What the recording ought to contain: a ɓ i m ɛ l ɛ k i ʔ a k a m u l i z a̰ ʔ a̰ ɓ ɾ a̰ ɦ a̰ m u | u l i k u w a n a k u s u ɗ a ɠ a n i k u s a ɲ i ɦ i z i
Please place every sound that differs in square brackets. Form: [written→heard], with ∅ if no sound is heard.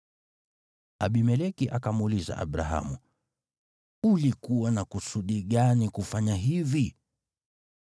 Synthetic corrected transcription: a ɓ i m ɛ l ɛ k i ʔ a k a m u l i z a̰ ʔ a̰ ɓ ɾ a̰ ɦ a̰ m u | u l i k u w a n a k u s u ɗ [a→i] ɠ a n i k u [s→f] a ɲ [i→a] ɦ i [z→v] i